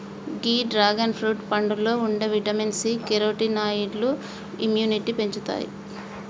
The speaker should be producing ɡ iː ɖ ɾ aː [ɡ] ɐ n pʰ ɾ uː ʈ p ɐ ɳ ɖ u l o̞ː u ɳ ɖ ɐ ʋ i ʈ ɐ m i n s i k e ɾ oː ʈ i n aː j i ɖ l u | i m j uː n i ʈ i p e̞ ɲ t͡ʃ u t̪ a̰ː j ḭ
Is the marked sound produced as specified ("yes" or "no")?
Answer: yes